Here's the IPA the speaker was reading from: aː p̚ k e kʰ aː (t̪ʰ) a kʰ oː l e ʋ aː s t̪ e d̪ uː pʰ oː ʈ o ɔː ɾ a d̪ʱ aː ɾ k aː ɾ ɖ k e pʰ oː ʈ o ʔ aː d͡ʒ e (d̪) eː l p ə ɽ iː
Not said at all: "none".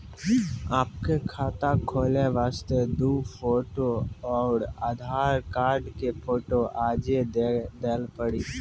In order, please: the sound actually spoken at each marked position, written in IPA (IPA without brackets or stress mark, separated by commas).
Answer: t̪, d̪